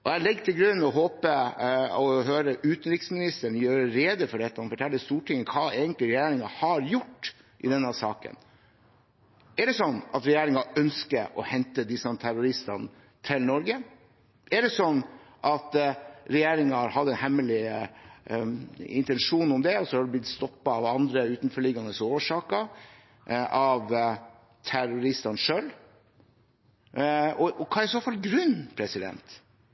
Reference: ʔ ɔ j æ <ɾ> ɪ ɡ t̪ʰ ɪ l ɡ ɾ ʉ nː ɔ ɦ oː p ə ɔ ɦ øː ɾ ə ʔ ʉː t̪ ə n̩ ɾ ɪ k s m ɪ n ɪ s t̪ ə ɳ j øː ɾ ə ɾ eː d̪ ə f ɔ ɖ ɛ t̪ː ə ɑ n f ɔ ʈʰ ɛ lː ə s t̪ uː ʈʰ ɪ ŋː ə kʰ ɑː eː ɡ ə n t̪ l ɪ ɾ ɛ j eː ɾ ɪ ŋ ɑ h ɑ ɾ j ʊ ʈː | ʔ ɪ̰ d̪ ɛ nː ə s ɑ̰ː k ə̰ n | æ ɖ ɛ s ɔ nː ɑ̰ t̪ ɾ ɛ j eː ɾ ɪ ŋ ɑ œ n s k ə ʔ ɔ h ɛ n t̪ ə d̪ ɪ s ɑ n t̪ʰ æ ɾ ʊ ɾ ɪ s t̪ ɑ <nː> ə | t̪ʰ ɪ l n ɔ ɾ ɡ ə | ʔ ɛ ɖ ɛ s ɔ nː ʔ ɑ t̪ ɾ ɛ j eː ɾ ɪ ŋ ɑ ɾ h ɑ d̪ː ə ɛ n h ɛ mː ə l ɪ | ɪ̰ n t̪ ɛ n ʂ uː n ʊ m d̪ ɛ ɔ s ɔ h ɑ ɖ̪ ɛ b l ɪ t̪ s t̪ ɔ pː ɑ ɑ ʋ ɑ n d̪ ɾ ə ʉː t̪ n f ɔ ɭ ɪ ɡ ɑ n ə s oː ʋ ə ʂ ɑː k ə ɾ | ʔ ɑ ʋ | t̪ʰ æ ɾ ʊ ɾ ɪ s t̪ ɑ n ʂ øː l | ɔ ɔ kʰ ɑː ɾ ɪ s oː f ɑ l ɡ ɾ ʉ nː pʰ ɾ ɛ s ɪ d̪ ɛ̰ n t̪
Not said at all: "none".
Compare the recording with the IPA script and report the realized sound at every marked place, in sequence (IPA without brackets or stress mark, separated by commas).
l, n